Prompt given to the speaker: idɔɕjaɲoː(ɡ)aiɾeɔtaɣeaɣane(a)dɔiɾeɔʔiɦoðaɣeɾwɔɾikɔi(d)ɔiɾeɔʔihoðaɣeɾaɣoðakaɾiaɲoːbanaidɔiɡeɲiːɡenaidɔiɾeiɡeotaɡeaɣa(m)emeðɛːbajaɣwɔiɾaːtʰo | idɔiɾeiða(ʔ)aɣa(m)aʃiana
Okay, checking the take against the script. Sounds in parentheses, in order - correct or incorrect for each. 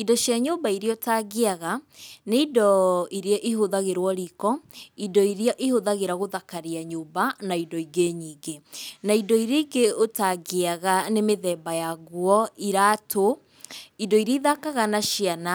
incorrect, incorrect, correct, incorrect, incorrect, incorrect

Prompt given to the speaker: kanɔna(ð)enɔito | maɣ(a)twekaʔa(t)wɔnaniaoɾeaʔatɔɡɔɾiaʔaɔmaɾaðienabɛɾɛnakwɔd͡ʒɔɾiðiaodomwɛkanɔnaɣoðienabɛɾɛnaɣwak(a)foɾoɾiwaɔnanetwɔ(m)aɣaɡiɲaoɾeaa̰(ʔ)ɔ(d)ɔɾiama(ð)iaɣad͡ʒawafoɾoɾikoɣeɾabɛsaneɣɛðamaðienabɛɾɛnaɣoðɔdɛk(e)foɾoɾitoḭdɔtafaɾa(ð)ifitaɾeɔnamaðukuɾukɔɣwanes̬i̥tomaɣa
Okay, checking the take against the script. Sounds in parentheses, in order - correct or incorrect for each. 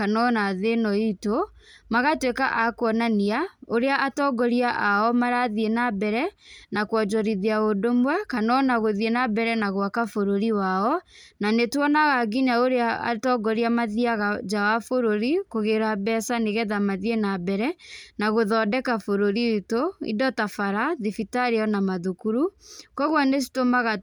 correct, correct, incorrect, correct, incorrect, incorrect, incorrect, correct, incorrect, correct

